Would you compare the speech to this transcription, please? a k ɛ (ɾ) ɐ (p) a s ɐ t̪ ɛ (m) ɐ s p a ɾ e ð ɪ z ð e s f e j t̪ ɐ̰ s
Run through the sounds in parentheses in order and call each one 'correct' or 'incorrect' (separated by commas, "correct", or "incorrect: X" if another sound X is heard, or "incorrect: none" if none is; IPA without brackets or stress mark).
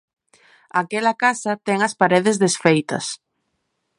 incorrect: l, incorrect: k, incorrect: ŋ